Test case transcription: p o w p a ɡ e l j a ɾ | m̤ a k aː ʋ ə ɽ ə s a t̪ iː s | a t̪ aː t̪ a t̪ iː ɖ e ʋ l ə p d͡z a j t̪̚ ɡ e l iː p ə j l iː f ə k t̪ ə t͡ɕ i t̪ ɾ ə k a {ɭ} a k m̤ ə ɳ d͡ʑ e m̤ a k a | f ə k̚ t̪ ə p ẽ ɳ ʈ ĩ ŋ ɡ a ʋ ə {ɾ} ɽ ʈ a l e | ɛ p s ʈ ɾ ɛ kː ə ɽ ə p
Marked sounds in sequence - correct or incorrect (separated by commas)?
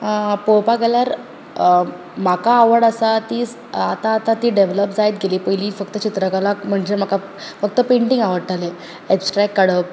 incorrect, incorrect